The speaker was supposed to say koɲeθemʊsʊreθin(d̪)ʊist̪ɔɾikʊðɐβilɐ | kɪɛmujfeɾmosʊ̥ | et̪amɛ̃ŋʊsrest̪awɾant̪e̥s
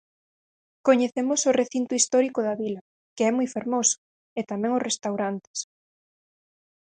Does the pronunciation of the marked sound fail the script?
yes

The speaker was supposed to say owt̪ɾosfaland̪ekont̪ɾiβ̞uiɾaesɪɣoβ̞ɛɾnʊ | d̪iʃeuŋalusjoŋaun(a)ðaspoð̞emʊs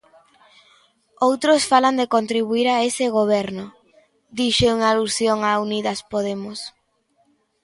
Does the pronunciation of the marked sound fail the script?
yes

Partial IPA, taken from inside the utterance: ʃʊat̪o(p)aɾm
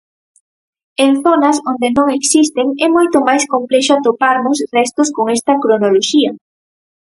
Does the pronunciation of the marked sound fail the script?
no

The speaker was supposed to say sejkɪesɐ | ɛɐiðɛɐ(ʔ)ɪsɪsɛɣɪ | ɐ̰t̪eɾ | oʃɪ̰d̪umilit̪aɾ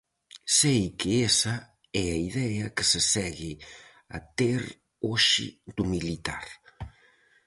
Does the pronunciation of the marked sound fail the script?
yes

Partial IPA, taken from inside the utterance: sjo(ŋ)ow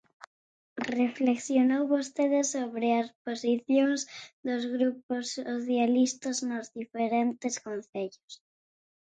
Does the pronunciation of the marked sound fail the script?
yes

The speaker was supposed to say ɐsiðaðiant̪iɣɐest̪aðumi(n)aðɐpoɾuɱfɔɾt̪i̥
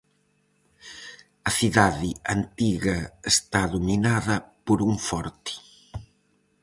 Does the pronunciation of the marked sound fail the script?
no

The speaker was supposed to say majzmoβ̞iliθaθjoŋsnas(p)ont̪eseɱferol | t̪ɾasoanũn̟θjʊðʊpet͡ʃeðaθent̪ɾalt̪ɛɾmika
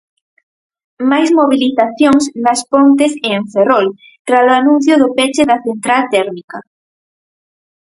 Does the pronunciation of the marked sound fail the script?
no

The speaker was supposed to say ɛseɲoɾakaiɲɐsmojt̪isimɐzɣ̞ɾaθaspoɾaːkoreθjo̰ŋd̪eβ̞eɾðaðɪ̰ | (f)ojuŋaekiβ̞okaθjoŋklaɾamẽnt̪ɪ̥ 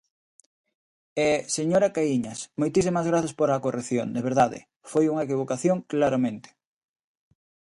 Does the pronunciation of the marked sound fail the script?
no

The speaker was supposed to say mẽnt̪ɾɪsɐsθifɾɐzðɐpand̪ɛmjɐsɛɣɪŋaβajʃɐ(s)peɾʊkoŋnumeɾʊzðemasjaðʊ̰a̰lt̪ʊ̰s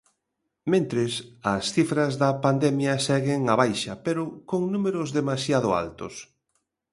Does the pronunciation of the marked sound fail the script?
yes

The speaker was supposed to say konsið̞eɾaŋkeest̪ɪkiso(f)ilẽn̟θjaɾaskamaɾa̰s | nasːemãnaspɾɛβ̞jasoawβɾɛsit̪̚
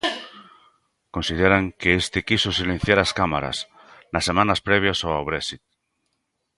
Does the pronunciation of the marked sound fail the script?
yes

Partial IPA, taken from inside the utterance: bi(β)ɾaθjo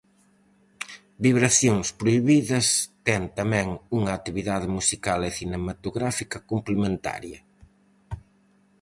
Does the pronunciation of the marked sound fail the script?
no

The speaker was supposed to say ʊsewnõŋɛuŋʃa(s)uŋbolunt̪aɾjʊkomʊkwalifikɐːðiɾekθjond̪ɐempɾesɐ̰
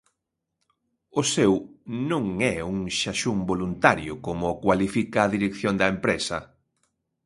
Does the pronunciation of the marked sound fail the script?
yes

